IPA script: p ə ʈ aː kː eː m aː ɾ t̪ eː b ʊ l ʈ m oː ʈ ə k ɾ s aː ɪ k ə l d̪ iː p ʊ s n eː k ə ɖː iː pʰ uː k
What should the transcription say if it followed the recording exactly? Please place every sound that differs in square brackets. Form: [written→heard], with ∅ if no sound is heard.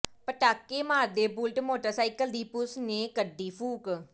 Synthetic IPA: p ə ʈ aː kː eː m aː ɾ [t̪→d̪] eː b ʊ l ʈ m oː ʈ ə [k→∅] ɾ s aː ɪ k ə l d̪ iː p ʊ s n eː k ə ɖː iː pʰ uː k